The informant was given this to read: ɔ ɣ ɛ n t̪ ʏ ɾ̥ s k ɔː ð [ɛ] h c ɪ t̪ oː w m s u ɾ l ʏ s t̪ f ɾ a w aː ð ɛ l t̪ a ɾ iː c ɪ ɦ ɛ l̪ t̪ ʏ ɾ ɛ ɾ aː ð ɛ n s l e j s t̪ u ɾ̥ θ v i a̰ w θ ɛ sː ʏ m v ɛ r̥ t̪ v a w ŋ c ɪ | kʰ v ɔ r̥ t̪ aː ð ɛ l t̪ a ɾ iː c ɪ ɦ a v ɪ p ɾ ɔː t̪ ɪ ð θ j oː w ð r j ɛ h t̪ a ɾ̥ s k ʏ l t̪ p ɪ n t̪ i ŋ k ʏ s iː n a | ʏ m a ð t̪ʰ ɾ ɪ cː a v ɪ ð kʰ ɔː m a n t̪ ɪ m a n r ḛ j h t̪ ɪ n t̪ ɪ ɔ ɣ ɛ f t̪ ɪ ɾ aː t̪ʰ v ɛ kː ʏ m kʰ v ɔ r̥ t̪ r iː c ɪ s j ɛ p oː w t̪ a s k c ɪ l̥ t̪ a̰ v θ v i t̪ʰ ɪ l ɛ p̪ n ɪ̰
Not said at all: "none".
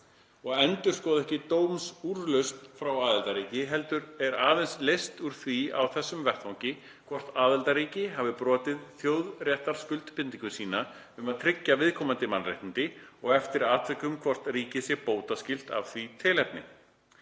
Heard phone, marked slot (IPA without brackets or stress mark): ɛ